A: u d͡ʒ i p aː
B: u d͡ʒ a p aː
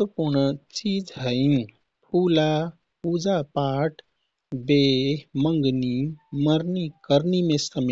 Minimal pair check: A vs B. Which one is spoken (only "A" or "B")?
B